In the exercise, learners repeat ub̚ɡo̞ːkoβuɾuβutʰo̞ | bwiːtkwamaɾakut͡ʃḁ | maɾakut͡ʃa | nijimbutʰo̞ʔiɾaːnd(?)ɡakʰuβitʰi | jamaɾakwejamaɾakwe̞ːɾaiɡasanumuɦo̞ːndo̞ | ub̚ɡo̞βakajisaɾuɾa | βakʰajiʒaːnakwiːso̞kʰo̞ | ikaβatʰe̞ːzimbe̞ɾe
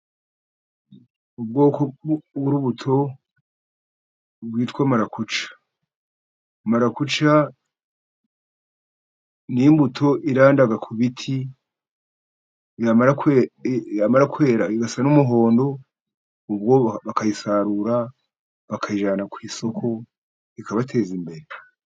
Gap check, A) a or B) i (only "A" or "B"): A